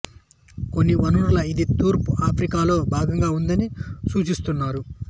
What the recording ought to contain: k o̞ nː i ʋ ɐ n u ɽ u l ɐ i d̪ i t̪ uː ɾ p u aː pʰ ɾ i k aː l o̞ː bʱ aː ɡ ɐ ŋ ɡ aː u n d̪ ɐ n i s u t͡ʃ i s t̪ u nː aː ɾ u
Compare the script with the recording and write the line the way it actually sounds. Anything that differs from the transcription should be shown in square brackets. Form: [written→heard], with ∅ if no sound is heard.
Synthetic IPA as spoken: k o̞ nː i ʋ ɐ n u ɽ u l ɐ i d̪ i t̪ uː ɾ p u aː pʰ ɾ i k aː l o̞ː bʱ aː ɡ ɐ ŋ ɡ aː u n d̪ ɐ n i s [u→uː] t͡ʃ i s t̪ u nː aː ɾ u